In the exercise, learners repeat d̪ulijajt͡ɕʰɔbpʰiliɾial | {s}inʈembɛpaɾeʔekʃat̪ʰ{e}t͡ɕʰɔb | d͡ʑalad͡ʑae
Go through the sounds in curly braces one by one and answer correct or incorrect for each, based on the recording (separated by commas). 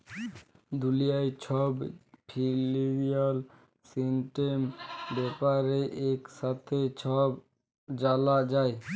correct, correct